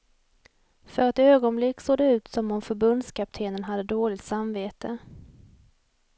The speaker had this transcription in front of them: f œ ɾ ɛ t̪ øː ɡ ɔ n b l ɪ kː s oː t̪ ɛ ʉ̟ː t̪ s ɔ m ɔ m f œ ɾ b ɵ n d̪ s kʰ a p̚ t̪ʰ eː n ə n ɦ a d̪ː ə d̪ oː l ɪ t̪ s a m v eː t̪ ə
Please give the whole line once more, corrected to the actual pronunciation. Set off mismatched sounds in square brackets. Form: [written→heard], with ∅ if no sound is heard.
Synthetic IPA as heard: f œ ɾ ɛ t̪ øː ɡ ɔ n b l ɪ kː s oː [t̪→d̪] ɛ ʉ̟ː t̪ s ɔ m ɔ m f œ ɾ b ɵ n d̪ s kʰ a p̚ t̪ʰ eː n ə n ɦ a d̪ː ə d̪ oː l ɪ t̪ s a m v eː t̪ ə

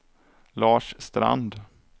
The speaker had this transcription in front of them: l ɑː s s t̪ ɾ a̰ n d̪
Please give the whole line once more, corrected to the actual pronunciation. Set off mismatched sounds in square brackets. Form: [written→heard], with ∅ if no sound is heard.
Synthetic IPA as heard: l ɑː [s→ʂ] s t̪ ɾ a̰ n d̪

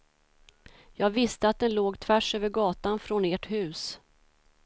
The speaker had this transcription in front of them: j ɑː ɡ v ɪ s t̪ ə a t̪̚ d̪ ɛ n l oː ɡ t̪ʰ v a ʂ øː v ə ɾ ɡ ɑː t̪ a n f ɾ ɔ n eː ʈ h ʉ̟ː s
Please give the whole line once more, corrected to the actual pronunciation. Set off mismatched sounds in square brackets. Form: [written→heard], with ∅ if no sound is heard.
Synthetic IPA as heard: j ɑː ɡ v ɪ s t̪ ə a t̪̚ d̪ ɛ n l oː ɡ t̪ʰ v [a→æ] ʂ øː v ə ɾ ɡ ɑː t̪ a n f ɾ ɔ n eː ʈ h ʉ̟ː s

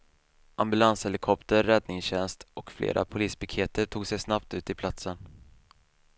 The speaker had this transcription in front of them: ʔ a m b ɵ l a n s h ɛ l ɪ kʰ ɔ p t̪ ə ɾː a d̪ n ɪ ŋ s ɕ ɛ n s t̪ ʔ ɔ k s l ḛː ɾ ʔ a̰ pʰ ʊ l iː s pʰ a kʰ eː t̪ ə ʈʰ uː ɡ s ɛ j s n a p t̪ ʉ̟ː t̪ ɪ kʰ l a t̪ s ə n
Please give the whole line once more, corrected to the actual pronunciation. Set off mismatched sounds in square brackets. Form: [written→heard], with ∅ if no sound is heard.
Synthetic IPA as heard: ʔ a m b ɵ l a n s h ɛ l ɪ kʰ ɔ p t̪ ə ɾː [a→ɛ] d̪ n ɪ ŋ s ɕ ɛ n s t̪ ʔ ɔ k [s→f] l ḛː ɾ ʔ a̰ pʰ ʊ l iː s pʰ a kʰ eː t̪ ə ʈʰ uː ɡ s ɛ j s n a p t̪ ʉ̟ː t̪ ɪ [kʰ→pʰ] l a t̪ s ə n

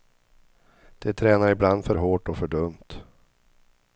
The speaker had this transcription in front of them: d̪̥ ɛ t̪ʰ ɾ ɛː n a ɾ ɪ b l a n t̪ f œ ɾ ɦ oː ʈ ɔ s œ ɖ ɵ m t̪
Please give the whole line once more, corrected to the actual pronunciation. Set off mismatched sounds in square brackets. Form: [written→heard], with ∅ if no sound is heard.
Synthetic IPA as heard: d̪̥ ɛ t̪ʰ ɾ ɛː n a ɾ ɪ b l a n [t̪→d̪] f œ ɾ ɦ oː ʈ ɔ [s→f] œ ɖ ɵ m t̪

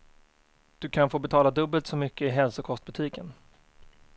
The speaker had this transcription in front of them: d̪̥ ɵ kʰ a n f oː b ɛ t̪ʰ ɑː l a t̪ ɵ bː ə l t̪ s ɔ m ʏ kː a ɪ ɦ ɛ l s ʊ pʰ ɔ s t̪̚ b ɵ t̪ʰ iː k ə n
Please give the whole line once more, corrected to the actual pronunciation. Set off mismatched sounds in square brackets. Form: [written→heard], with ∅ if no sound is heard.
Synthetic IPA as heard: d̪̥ ɵ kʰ a n f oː b ɛ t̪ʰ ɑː l a [t̪→d̪] ɵ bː ə l t̪ s ɔ m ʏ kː [a→ə] ɪ ɦ ɛ l s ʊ [pʰ→kʰ] ɔ s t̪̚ b ɵ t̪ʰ iː k ə n

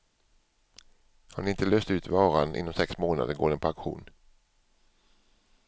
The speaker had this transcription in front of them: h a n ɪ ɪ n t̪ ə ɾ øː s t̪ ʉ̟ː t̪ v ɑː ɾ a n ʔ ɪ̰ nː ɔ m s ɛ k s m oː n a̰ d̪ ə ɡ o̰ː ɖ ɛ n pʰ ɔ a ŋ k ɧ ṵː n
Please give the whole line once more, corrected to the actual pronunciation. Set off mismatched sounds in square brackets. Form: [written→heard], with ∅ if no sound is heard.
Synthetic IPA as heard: h a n ɪ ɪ n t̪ ə [ɾ→l] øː s t̪ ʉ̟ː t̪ v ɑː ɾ a n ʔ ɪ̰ nː ɔ m s ɛ k s m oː n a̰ d̪ ə ɡ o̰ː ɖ ɛ n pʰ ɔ a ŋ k ɧ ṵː n

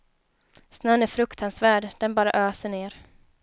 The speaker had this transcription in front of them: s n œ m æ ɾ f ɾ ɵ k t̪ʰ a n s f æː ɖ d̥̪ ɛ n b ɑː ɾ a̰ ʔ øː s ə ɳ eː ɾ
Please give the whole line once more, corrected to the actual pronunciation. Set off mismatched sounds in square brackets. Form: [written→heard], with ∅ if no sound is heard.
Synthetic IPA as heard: s n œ [m→n] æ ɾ f ɾ ɵ k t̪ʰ a n s [f→v] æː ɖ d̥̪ ɛ n b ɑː ɾ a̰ ʔ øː s ə ɳ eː ɾ

